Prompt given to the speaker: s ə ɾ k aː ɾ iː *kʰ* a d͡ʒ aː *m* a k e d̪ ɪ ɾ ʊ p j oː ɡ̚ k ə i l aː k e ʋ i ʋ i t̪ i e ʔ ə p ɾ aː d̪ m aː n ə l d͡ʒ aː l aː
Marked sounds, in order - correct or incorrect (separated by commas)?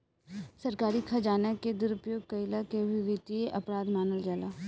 correct, incorrect